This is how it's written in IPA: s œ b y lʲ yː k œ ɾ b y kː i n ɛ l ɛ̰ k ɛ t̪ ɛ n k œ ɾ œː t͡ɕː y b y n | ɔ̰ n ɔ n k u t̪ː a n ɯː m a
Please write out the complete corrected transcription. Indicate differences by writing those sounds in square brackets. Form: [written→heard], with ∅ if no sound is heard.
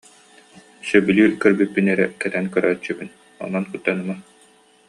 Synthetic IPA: s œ b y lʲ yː k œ ɾ b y [kː→pː] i n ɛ [l→ɾ] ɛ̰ k ɛ t̪ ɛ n k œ ɾ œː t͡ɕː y b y n | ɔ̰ n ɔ n k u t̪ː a n [ɯː→ɯ] m a